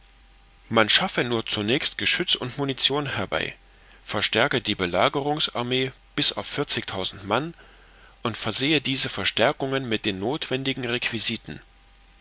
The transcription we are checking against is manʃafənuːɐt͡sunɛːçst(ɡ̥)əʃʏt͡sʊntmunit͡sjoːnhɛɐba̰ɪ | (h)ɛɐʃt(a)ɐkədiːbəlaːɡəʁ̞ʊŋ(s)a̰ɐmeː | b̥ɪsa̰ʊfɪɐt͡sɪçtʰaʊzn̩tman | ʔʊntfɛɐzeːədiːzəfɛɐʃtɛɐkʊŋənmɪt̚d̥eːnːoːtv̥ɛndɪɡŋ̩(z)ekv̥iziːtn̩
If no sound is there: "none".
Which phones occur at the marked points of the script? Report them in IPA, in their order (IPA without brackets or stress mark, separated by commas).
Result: ɡ̥, f, ɛ, s, ʁ